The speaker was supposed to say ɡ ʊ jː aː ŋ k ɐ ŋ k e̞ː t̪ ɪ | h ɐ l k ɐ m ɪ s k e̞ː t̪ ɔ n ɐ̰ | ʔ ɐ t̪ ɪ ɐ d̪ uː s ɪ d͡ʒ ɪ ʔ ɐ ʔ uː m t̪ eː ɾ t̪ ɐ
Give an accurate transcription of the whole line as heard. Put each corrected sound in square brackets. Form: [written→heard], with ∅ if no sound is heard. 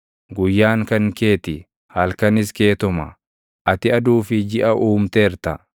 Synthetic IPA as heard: ɡ ʊ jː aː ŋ k ɐ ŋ k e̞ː t̪ ɪ | h ɐ l k ɐ [m→n] ɪ s k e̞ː t̪ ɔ [n→m] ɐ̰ | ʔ ɐ t̪ ɪ ɐ d̪ uː [s→f] ɪ d͡ʒ ɪ ʔ ɐ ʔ uː m t̪ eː ɾ t̪ ɐ